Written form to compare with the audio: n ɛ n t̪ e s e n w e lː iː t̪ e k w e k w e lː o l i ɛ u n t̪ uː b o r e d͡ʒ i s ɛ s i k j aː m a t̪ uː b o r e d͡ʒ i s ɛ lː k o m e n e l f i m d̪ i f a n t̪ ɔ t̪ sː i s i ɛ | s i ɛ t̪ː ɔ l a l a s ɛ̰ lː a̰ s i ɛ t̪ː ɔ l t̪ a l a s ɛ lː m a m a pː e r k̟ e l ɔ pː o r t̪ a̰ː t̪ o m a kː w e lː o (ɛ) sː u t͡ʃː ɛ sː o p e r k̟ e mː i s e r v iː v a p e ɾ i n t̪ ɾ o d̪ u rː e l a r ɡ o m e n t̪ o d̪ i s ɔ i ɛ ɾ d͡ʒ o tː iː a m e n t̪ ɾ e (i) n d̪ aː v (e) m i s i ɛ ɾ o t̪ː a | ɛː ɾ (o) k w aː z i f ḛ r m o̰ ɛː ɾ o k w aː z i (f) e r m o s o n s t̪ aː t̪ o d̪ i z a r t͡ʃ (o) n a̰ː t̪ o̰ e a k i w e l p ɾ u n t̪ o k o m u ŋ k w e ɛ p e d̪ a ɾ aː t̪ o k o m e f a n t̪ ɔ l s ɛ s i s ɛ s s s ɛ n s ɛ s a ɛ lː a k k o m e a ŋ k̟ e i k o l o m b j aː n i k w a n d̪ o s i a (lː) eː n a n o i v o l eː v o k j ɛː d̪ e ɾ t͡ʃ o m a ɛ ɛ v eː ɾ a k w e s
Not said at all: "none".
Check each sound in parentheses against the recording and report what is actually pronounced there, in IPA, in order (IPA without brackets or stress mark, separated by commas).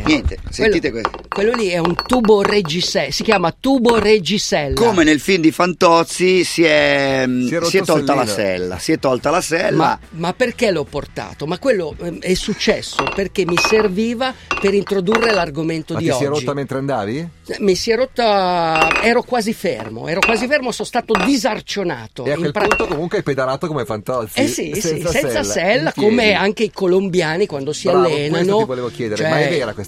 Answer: ɛ, a, i, o, f, o, lː